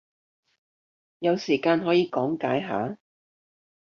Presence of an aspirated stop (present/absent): absent